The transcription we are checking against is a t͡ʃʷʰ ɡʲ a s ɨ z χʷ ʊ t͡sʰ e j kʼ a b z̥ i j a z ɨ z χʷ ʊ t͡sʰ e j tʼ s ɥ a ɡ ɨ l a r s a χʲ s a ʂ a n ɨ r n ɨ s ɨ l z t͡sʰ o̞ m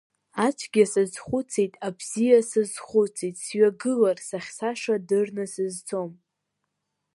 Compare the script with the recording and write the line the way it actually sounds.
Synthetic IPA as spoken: a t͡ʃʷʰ ɡʲ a s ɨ z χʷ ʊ t͡sʰ e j tʼ a b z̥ i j a s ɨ z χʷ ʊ t͡sʰ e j tʼ s ɥ a ɡ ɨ l a r s a χʲ s a ʂ a d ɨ r n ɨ s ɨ z t͡sʰ o̞ m